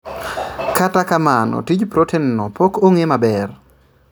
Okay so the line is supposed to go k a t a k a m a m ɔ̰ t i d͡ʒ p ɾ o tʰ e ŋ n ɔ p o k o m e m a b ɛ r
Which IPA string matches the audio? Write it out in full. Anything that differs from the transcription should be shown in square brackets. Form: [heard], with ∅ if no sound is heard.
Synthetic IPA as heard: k a t a k a m a [n] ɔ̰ t i d͡ʒ p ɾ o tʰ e [n] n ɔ p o k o [ŋ] e m a b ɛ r